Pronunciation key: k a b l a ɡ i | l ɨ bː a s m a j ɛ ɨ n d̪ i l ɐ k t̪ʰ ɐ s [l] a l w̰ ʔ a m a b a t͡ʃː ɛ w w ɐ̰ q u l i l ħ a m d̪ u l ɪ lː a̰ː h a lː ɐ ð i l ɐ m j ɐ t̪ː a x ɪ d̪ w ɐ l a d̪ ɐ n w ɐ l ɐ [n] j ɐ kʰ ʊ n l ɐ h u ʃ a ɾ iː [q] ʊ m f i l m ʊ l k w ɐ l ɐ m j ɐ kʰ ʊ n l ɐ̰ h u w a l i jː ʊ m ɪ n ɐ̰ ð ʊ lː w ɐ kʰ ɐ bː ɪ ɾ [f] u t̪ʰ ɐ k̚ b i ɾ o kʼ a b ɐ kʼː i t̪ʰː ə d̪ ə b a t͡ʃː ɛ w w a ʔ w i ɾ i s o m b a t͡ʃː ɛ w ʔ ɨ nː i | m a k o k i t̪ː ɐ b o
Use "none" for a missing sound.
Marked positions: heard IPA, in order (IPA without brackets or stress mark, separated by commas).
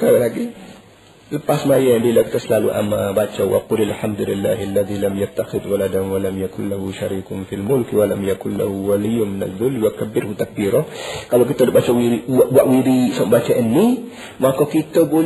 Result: l, m, k, h